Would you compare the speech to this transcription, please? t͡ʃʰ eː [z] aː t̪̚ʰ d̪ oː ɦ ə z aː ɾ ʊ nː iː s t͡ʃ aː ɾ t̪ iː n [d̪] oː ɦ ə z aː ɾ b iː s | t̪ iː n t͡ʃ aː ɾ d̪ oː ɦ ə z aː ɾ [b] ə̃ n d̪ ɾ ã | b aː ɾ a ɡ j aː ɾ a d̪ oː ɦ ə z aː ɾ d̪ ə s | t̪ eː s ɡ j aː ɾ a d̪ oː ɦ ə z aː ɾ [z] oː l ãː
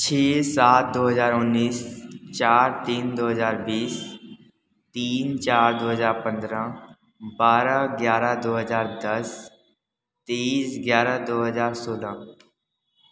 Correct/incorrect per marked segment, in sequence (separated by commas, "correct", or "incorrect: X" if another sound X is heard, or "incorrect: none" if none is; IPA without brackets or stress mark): incorrect: s, correct, incorrect: p, incorrect: s